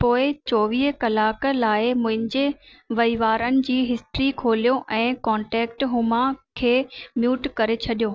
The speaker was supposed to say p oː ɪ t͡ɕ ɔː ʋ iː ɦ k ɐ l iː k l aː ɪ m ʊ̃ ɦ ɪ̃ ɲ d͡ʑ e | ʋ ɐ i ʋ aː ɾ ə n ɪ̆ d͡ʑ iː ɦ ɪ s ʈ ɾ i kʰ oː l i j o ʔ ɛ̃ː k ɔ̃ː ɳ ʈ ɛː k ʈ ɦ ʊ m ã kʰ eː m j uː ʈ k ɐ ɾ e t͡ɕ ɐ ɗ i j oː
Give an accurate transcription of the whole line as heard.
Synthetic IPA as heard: p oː ɪ t͡ɕ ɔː ʋ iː ɦ k ɐ l aː k l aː ɪ m ʊ̃ ɦ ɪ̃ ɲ d͡ʑ e | ʋ ɐ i ʋ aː ɾ ə n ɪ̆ d͡ʑ iː ɦ ɪ s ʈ ɾ i kʰ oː l i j o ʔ ɛ̃ː k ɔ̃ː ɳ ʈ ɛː k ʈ ɦ ʊ m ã kʰ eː m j uː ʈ k ɐ ɾ e t͡ɕʰ ɐ ɗ i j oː